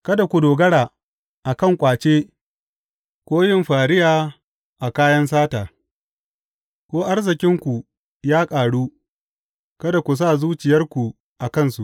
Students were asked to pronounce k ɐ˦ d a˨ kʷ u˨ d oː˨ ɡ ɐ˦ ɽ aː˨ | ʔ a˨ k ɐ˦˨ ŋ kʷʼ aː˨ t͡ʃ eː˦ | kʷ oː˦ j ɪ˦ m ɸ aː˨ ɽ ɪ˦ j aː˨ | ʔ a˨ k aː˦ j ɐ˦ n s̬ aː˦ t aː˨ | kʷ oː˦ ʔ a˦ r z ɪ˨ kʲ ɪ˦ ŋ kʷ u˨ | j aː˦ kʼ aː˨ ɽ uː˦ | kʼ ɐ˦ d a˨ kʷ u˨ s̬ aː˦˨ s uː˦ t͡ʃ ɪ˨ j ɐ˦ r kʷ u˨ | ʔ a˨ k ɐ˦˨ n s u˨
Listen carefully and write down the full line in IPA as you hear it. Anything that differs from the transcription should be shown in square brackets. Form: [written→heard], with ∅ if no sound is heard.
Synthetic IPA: k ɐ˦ d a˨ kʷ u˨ d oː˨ ɡ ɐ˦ ɽ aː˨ | ʔ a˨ k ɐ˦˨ ŋ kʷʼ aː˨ t͡ʃ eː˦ | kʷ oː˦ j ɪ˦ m ɸ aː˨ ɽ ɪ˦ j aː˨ | ʔ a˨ k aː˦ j ɐ˦ n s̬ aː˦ t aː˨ | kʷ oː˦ ʔ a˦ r z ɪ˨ kʲ ɪ˦ ŋ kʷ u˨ | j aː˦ kʼ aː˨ ɽ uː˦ | [kʼ→k] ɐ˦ d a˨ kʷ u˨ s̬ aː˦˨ [s→z] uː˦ t͡ʃ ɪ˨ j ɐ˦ r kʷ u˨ | ʔ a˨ k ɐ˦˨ n s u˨